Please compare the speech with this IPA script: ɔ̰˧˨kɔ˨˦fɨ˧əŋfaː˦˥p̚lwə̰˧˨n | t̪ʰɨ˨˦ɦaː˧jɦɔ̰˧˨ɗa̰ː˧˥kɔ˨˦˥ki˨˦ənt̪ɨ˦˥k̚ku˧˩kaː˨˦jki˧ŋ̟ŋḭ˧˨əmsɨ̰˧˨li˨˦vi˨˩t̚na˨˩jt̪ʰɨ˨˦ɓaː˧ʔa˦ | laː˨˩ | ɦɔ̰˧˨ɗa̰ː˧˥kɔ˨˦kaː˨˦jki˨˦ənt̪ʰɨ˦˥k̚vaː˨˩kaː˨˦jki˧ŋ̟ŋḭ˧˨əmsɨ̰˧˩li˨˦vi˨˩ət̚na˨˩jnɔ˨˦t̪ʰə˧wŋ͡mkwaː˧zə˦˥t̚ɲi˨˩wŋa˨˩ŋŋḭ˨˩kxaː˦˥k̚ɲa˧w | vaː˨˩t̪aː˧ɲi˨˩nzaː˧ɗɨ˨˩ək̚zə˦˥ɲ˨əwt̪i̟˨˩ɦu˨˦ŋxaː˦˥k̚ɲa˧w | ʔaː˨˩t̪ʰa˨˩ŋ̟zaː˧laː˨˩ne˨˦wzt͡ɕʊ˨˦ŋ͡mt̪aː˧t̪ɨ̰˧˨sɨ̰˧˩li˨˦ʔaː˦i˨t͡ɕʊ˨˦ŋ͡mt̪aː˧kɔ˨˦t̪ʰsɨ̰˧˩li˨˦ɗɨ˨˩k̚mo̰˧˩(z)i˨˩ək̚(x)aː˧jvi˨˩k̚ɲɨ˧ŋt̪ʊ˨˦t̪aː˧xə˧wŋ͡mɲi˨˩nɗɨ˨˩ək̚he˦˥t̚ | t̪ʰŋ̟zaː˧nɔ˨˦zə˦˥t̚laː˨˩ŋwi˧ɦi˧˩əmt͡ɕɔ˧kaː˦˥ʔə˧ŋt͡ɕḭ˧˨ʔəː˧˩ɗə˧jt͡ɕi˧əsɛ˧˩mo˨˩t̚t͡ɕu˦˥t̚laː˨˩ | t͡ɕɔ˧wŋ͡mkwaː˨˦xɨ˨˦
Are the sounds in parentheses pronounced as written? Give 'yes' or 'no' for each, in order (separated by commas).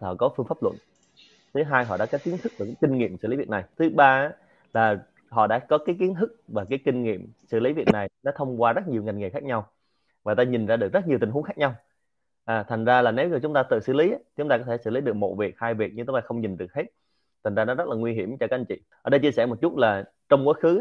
no, no